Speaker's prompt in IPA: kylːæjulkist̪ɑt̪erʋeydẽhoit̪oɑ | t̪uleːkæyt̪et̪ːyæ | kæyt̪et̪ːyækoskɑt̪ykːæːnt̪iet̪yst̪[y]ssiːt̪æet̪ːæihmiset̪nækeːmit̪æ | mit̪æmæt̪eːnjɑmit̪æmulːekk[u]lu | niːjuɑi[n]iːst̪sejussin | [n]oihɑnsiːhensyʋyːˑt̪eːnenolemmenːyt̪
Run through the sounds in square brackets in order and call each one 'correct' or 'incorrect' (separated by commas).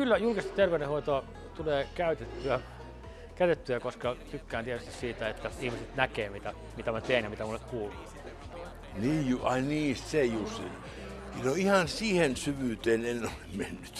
incorrect, incorrect, correct, correct